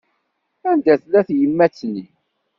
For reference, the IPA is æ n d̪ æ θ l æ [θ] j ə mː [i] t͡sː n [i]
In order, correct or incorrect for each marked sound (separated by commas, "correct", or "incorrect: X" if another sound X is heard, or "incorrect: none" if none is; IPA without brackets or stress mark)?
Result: correct, incorrect: æ, correct